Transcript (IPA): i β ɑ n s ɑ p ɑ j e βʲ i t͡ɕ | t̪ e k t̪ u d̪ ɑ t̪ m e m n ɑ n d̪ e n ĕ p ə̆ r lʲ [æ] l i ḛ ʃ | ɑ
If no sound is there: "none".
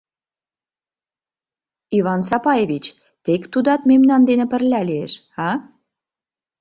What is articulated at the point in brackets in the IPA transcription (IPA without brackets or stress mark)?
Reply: æ